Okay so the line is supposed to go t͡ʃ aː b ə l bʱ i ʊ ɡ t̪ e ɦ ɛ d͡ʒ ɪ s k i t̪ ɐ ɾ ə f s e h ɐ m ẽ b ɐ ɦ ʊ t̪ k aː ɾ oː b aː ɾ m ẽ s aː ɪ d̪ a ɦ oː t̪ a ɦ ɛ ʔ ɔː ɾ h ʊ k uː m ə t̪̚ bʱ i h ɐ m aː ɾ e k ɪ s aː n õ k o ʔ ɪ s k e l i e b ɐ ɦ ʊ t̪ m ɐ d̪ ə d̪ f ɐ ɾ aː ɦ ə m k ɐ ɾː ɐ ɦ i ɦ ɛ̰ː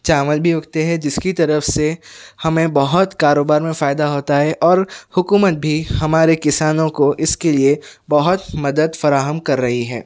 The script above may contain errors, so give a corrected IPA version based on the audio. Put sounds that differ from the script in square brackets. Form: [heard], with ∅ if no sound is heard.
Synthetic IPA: t͡ʃ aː [m] ə l bʱ i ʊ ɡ t̪ e ɦ ɛ d͡ʒ ɪ s k i t̪ ɐ ɾ ə f s e h ɐ m ẽ b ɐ ɦ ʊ t̪ k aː ɾ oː b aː ɾ m ẽ [f] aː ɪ d̪ a ɦ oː t̪ a ɦ ɛ ʔ ɔː ɾ h ʊ k uː m ə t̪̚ bʱ i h ɐ m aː ɾ e k ɪ s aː n õ k o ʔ ɪ s k e l i e b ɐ ɦ ʊ t̪ m ɐ d̪ ə d̪ f ɐ ɾ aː ɦ ə m k ɐ ɾː ɐ ɦ i ɦ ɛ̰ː